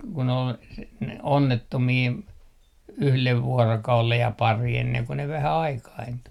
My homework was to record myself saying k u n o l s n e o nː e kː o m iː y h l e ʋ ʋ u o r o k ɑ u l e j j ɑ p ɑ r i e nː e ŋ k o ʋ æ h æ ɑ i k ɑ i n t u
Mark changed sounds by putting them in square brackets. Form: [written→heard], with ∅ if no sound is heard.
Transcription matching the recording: k u n o l s n e o nː e [kː→tː] o m iː y h l e ʋ ʋ u o r o k ɑ u l e j j ɑ p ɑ r i e nː e ŋ k o ʋ æ h æ ɑ i k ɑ i n t u